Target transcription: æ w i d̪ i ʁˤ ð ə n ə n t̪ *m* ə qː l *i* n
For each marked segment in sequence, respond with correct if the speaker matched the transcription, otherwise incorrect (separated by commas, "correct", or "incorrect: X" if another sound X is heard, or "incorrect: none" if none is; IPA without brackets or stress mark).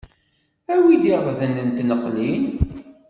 incorrect: n, correct